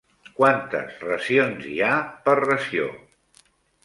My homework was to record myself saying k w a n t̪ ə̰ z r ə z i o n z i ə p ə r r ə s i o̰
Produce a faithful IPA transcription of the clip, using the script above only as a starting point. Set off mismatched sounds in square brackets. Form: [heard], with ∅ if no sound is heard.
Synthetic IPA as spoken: k w a n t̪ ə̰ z r ə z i o n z i [a] p ə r r ə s i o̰